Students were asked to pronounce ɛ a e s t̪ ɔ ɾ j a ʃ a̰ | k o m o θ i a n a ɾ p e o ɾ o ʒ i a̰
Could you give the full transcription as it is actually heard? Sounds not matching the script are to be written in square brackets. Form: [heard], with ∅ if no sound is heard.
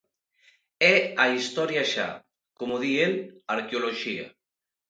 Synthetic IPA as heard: ɛ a [i] s t̪ ɔ ɾ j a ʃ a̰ | k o m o [ð] i [e] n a ɾ [k] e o [l] o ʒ i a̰